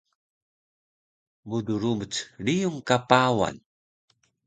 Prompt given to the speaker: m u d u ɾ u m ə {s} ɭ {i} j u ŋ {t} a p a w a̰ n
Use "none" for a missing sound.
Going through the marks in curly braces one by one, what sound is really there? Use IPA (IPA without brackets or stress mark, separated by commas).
t͡s, i, k